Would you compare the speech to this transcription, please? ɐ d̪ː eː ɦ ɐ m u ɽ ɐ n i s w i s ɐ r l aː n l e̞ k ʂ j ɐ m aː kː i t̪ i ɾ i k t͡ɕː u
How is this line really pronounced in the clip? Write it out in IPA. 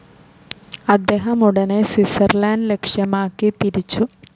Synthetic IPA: ɐ d̪ː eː ɦ ɐ m u ɽ ɐ n e s w i s ɐ r l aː n l e̞ k ʂ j ɐ m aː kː i t̪ i ɾ i t͡ɕː u